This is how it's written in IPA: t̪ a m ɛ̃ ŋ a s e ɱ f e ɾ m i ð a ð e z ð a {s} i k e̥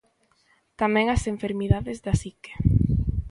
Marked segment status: correct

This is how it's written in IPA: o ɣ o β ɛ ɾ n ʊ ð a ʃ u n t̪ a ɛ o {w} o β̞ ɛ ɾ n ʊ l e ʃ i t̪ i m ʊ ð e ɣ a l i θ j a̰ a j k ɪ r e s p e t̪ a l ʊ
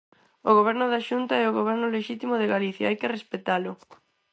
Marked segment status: incorrect: ɣ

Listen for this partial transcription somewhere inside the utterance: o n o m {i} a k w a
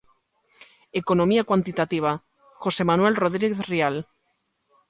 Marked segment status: correct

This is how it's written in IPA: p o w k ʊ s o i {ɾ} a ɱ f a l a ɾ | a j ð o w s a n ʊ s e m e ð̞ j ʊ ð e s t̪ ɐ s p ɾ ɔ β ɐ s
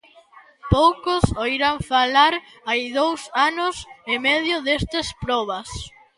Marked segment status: correct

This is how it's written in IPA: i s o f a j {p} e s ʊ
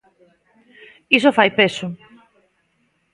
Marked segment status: correct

